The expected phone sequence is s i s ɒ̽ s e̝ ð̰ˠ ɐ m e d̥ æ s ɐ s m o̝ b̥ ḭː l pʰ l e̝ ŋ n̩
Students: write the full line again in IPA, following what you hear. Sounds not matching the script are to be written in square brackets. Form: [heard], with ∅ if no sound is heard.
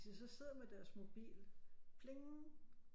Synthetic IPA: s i s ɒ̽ s e̝ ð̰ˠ ɐ m e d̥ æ [∅] ɐ s m o̝ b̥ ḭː l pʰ l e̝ ŋ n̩

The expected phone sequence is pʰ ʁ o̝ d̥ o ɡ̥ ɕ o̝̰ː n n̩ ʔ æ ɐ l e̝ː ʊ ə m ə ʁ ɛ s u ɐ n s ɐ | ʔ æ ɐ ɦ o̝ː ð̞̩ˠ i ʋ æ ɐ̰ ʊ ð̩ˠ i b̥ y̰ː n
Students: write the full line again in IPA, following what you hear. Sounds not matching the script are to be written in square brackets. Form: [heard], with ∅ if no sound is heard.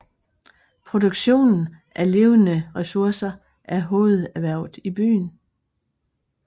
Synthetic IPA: pʰ ʁ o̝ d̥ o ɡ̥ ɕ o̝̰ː n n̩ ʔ æ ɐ l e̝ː ʊ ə [n] ə ʁ ɛ s u ɐ [∅] s ɐ | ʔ æ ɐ ɦ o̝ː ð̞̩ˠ [æ] ʋ æ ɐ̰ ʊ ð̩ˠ i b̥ y̰ː n

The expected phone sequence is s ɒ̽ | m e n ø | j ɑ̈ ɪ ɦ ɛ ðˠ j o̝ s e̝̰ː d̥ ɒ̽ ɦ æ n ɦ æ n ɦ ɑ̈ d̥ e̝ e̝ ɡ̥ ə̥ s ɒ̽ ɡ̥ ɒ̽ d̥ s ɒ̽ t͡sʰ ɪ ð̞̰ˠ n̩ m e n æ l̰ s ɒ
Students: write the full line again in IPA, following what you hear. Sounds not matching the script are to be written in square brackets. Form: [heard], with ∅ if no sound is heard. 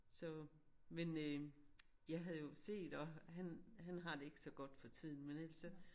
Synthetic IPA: s ɒ̽ | m e n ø | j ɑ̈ ɪ ɦ [æ] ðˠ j o̝ s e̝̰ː d̥ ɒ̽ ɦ æ n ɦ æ n ɦ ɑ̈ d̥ e̝ e̝ ɡ̥ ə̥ s ɒ̽ ɡ̥ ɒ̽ d̥ [f] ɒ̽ t͡sʰ [i] ð̞̰ˠ n̩ m e n æ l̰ s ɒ

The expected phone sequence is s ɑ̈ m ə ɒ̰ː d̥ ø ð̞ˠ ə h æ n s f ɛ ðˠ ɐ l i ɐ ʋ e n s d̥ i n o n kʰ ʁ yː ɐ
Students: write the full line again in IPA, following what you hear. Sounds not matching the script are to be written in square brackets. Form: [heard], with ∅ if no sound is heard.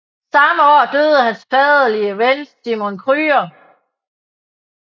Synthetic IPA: s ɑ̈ m ə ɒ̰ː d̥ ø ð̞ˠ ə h æ n s f ɛ ðˠ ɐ l i [ə] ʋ e n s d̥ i [m] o n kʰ ʁ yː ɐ

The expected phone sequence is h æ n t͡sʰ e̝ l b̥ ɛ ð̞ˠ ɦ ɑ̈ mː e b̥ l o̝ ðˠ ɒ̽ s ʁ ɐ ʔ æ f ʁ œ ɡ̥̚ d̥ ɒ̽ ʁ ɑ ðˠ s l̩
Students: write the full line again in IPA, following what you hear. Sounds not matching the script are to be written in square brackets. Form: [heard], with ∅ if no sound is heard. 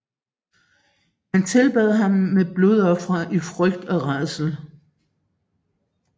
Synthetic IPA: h æ n t͡sʰ e̝ l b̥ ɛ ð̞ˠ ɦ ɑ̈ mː e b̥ l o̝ ðˠ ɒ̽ [f] ʁ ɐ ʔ [i] f ʁ œ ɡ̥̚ d̥ ɒ̽ ʁ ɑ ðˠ s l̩

